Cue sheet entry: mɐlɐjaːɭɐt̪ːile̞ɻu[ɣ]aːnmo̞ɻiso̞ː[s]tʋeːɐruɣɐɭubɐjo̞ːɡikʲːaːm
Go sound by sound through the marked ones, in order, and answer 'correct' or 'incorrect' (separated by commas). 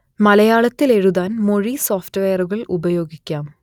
incorrect, incorrect